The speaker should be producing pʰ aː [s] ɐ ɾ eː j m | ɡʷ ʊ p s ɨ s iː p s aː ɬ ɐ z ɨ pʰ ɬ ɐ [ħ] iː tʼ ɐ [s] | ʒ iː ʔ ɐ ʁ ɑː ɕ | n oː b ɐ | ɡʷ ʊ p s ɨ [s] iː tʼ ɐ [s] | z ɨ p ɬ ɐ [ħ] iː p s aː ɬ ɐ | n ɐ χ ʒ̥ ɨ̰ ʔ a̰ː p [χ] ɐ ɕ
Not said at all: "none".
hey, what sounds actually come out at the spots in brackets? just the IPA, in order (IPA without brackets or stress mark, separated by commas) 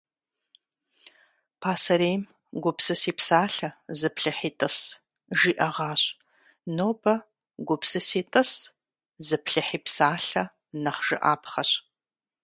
s, ħ, s, s, s, ħ, χ